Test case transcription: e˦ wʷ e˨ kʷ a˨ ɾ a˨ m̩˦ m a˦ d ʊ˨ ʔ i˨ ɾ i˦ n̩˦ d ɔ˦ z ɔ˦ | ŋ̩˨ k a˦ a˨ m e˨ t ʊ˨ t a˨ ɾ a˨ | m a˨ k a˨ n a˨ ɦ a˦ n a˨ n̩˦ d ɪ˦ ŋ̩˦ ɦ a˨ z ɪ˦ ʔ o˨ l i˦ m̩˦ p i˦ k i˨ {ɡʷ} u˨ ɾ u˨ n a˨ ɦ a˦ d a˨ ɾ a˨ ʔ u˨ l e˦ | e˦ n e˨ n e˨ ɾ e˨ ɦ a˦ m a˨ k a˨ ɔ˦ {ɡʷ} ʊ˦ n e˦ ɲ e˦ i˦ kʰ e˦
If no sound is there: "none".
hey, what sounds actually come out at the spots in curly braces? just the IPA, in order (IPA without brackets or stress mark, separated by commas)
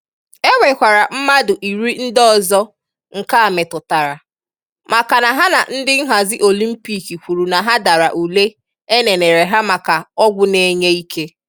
kʷ, ɡʷ